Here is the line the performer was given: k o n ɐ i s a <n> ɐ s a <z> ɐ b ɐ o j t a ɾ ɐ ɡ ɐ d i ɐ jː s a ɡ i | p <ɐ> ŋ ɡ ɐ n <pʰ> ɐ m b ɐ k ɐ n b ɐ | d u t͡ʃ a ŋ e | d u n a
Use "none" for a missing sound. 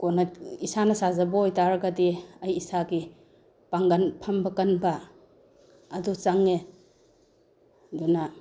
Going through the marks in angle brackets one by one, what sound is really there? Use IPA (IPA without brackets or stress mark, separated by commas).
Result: n, z, a, pʰ